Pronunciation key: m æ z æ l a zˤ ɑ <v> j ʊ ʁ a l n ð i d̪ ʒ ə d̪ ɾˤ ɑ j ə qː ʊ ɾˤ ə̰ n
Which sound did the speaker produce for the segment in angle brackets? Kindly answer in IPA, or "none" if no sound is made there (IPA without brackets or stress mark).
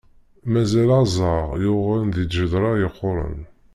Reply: ʁ